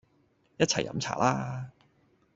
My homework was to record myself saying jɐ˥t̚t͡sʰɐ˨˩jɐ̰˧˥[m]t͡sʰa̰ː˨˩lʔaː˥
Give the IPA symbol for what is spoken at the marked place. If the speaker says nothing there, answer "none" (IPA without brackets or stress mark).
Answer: m